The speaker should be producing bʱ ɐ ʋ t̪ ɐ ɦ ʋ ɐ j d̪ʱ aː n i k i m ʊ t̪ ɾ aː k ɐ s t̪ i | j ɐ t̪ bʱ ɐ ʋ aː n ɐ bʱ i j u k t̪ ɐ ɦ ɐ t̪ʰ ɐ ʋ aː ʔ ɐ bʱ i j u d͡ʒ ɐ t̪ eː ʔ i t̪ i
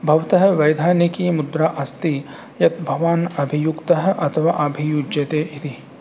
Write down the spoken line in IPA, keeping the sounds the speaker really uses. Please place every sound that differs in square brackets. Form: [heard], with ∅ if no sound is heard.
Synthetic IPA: bʱ ɐ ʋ t̪ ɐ ɦ ʋ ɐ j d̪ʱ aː n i k i m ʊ [d̪] ɾ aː [ʔ] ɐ s t̪ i | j ɐ t̪ bʱ ɐ ʋ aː n ɐ bʱ i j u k t̪ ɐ ɦ ɐ t̪ʰ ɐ ʋ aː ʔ ɐ bʱ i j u d͡ʒ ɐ t̪ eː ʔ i t̪ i

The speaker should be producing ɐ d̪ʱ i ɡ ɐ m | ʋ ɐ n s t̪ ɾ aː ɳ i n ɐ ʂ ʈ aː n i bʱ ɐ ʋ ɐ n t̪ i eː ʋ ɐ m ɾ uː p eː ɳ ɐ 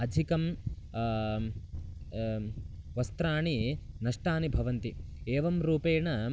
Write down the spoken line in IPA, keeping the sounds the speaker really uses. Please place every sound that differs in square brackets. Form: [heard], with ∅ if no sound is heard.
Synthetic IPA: ɐ d̪ʱ i [k] ɐ m | ʋ ɐ [∅] s t̪ ɾ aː ɳ i n ɐ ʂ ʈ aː n i bʱ ɐ ʋ ɐ n t̪ i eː ʋ ɐ m ɾ uː p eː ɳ ɐ

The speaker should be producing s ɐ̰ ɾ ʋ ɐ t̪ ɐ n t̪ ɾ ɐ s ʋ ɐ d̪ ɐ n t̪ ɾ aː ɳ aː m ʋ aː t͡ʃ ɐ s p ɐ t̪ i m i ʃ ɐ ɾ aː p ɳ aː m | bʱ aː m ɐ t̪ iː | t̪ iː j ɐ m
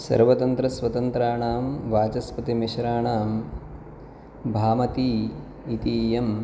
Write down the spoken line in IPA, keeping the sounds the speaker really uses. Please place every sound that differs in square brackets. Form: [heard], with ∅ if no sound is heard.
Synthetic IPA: s ɐ̰ ɾ ʋ ɐ t̪ ɐ n t̪ ɾ ɐ s ʋ ɐ [t̪] ɐ n t̪ ɾ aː ɳ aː m ʋ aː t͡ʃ ɐ s p ɐ t̪ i m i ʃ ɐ ɾ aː [∅] ɳ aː m | bʱ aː m ɐ t̪ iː | t̪ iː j ɐ m

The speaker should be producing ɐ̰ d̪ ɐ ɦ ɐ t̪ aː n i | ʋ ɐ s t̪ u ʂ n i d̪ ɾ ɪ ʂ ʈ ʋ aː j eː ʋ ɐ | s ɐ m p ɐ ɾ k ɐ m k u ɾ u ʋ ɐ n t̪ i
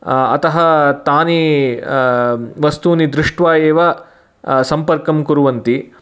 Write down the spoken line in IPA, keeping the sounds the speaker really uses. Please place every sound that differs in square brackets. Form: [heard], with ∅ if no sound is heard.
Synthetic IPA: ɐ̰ [t̪] ɐ ɦ ɐ t̪ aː n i | ʋ ɐ s t̪ u [∅] n i d̪ ɾ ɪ ʂ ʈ ʋ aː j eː ʋ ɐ | s ɐ m p ɐ ɾ k ɐ m k u ɾ u ʋ ɐ n t̪ i

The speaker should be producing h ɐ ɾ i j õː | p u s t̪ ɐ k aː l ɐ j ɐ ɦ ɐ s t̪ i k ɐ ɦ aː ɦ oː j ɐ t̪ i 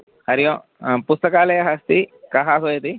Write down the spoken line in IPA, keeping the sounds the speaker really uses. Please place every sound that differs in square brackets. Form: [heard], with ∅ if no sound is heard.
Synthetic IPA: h ɐ ɾ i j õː | p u s t̪ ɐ k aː l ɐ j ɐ ɦ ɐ s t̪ i k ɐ ɦ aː ɦ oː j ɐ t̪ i

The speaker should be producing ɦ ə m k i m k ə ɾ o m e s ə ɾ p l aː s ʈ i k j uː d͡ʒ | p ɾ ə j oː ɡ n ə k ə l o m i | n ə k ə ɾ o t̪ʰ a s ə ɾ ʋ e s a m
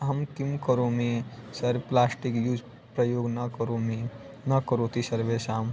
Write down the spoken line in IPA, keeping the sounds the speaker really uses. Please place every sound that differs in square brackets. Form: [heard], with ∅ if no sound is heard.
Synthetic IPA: ɦ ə m k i m k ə ɾ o m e s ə ɾ p l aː s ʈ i k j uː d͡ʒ | p ɾ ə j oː ɡ n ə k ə [ɾ] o m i | n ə k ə ɾ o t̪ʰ [i] s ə ɾ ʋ e s a m

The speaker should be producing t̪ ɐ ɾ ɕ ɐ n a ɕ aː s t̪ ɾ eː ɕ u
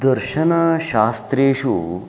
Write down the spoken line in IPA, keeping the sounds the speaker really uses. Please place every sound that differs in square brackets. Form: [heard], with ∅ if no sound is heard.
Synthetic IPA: [d̪] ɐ ɾ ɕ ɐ n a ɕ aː s t̪ ɾ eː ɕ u

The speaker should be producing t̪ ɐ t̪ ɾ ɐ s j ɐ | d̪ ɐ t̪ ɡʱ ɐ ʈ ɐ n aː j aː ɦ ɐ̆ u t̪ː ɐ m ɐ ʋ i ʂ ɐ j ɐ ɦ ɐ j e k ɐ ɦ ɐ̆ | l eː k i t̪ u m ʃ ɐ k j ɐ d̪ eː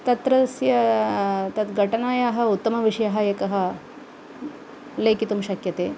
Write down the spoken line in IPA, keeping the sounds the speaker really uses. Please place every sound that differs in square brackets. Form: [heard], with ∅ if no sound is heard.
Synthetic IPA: t̪ ɐ t̪ ɾ ɐ s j ɐ | [t̪] ɐ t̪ ɡʱ ɐ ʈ ɐ n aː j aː ɦ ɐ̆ u t̪ː ɐ m ɐ ʋ i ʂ ɐ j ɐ ɦ ɐ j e k ɐ ɦ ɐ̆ | l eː k i t̪ u m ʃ ɐ k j ɐ [t̪] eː

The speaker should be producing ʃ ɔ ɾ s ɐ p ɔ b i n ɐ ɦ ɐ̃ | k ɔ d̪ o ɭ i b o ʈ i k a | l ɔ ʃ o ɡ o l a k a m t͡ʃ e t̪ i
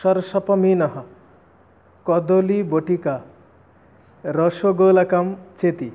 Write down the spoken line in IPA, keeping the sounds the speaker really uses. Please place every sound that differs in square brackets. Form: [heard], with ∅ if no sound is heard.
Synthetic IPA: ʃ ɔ ɾ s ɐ p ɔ [m] i n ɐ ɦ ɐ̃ | k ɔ d̪ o [l] i b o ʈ i k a | [ɾ] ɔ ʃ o ɡ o l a k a m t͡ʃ e t̪ i

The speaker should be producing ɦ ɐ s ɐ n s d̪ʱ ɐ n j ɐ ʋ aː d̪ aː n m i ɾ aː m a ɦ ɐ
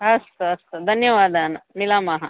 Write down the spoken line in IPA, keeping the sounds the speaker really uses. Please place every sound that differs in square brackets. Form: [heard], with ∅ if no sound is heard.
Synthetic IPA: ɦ ɐ s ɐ [∅] s d̪ʱ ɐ n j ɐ ʋ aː d̪ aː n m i [l] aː m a ɦ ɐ

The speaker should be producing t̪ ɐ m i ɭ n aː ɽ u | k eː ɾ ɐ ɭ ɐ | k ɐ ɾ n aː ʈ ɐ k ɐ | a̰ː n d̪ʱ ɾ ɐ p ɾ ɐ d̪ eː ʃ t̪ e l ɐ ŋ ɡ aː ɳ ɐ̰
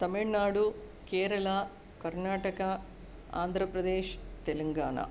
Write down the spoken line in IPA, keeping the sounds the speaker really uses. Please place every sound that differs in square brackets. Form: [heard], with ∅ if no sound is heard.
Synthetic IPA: t̪ ɐ m i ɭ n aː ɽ u | k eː ɾ ɐ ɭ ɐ | k ɐ ɾ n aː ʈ ɐ k ɐ | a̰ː n d̪ʱ ɾ ɐ p ɾ ɐ d̪ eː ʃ t̪ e l ɐ ŋ ɡ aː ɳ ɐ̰

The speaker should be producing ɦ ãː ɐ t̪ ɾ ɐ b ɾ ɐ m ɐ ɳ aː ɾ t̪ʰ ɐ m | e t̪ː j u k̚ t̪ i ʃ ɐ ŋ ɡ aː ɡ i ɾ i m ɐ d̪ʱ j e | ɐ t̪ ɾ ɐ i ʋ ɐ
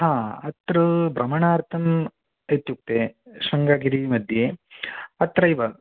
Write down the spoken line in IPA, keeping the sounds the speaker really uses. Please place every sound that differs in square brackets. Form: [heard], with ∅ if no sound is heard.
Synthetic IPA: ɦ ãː ɐ t̪ ɾ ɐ b ɾ ɐ m ɐ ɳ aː ɾ t̪ʰ ɐ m | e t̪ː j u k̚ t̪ [e] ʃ ɐ ŋ ɡ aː ɡ i ɾ i m ɐ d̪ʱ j e | ɐ t̪ ɾ ɐ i ʋ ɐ

